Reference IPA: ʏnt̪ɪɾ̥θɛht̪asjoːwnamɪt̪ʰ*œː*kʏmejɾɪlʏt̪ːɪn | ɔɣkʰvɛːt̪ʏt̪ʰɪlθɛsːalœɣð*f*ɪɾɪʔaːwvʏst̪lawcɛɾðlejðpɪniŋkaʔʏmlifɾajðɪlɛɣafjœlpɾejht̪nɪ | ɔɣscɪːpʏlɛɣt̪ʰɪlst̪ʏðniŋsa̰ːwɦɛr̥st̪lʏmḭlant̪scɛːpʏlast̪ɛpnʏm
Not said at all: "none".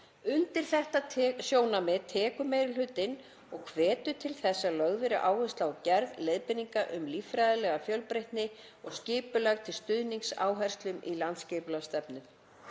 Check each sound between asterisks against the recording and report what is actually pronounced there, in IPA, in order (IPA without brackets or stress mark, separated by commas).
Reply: ɛː, v